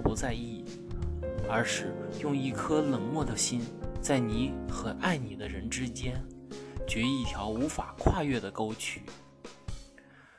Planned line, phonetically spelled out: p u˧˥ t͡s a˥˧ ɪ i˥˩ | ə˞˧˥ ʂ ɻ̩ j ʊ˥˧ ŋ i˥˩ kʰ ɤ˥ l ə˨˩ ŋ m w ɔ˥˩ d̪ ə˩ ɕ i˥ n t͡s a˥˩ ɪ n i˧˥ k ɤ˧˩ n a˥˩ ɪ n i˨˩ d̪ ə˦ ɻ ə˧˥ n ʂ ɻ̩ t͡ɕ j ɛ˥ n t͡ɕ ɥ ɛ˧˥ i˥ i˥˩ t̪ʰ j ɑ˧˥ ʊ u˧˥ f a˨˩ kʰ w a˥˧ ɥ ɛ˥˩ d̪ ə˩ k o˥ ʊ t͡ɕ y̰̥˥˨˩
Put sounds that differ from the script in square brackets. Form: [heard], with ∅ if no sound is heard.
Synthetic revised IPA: p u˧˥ t͡s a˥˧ ɪ i˥˩ | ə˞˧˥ ʂ ɻ̩ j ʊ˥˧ ŋ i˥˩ kʰ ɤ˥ l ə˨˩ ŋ m w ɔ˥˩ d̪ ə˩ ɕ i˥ n t͡s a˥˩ ɪ n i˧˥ [x] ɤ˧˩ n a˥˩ ɪ n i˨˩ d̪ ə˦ ɻ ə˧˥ n [ʈ͡ʂ] ɻ̩ t͡ɕ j ɛ˥ n t͡ɕ ɥ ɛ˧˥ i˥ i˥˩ t̪ʰ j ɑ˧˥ ʊ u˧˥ f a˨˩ kʰ w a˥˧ ɥ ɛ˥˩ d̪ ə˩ k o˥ ʊ [t͡ɕʰ] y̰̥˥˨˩